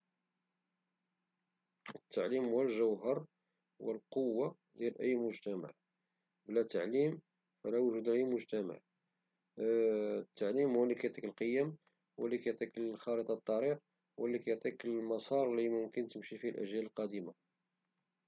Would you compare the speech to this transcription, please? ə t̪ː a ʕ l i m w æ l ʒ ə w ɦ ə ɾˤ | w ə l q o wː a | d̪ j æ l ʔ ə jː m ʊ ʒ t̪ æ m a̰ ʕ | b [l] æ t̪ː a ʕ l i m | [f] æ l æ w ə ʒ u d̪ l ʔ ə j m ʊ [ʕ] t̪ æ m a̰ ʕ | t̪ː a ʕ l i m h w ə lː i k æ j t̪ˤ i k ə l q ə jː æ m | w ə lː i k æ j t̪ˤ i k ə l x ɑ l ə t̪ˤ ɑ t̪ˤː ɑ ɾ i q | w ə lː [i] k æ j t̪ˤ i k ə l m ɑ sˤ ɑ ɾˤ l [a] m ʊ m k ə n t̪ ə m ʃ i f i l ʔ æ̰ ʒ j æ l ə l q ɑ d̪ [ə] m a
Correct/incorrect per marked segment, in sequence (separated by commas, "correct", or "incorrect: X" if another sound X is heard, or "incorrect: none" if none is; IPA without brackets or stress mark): correct, correct, incorrect: ʒ, correct, incorrect: i, correct